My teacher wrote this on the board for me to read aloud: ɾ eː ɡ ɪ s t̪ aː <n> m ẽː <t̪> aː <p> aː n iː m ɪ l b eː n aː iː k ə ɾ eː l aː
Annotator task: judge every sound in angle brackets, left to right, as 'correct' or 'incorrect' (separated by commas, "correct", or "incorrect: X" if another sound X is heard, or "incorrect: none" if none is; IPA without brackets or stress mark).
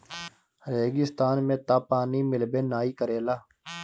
correct, correct, correct